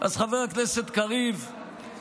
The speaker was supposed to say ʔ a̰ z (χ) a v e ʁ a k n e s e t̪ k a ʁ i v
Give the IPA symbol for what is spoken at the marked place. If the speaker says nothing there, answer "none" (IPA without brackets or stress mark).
χ